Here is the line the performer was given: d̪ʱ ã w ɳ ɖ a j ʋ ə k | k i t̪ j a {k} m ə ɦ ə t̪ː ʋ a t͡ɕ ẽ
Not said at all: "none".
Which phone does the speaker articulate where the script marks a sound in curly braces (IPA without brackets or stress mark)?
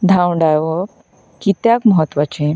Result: k